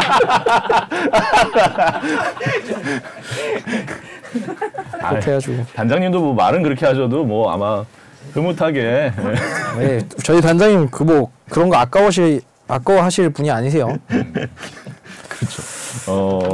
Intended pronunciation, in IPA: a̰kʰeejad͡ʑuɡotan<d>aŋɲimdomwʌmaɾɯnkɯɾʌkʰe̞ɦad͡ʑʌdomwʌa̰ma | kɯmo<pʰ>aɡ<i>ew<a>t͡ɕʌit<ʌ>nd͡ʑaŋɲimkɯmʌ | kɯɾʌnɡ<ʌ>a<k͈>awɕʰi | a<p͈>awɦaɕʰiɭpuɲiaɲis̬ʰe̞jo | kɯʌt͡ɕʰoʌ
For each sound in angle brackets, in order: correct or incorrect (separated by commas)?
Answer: incorrect, incorrect, incorrect, incorrect, incorrect, correct, correct, incorrect